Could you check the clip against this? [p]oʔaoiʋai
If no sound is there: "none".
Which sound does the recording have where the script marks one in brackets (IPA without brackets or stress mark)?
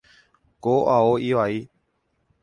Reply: k